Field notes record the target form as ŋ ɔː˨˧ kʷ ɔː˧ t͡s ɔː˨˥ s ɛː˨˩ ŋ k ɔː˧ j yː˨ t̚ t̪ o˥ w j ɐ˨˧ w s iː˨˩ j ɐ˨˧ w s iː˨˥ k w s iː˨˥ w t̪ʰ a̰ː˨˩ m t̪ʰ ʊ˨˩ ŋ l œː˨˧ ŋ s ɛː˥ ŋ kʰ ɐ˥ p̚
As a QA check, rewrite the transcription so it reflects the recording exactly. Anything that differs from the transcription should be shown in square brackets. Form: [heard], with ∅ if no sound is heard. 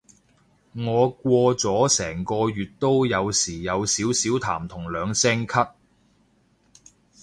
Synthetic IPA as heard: ŋ ɔː˨˧ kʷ ɔː˧ t͡s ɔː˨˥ s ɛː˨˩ ŋ k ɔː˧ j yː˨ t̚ t̪ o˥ w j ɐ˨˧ w s iː˨˩ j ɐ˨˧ w s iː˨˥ [∅] w s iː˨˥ w t̪ʰ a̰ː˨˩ m t̪ʰ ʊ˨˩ ŋ l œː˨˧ ŋ s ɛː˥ ŋ kʰ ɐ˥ [t̚]